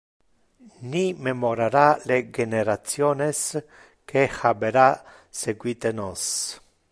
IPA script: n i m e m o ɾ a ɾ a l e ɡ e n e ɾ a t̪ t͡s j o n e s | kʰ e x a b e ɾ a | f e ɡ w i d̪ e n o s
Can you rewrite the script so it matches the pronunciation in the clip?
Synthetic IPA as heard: n i m e m o ɾ a ɾ a l e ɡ e n e ɾ a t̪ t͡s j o n e s | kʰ e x a b e ɾ a | s e ɡ w i t̪ e n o s